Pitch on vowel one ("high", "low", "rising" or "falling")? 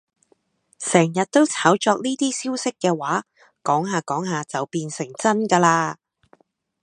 low